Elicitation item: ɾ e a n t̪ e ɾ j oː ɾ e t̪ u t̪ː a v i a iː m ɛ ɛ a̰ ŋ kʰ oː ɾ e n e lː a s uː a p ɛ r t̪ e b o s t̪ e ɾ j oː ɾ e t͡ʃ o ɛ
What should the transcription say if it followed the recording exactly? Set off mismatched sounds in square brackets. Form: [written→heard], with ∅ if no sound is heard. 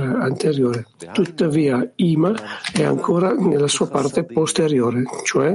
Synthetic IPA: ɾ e a n t̪ e ɾ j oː ɾ e t̪ u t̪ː a v [i→iː] a iː m [ɛ→a] ɛ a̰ ŋ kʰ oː ɾ [e→a] n e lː a s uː a p [ɛ→a] r t̪ e [b→p] o s t̪ e ɾ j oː ɾ e t͡ʃ o ɛ